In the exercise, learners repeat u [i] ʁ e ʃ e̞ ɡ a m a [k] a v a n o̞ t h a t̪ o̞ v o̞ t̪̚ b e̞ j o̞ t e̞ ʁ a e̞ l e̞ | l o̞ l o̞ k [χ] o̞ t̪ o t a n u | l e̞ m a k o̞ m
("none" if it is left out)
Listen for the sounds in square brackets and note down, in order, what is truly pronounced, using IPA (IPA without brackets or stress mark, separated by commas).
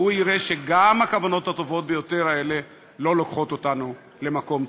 i, k, χ